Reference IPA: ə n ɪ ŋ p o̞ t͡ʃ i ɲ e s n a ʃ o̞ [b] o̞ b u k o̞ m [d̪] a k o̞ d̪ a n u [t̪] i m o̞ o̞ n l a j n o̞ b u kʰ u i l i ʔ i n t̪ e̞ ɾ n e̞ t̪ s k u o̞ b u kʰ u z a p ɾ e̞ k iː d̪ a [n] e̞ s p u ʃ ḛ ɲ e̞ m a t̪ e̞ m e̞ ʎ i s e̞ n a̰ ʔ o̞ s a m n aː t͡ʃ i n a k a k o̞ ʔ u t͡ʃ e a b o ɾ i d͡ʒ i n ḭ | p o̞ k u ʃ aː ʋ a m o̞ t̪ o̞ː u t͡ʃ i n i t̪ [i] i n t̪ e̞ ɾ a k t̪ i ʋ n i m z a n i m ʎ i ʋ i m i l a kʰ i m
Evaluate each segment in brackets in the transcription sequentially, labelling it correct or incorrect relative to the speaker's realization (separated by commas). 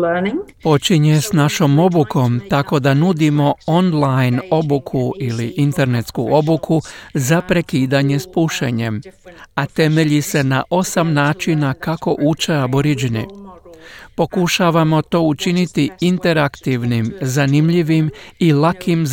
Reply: incorrect, incorrect, incorrect, incorrect, correct